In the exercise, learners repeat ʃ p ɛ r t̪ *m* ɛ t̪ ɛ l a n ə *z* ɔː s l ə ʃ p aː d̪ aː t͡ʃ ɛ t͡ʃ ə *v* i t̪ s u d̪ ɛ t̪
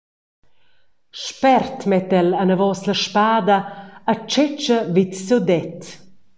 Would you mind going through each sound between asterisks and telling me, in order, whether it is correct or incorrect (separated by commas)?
correct, incorrect, correct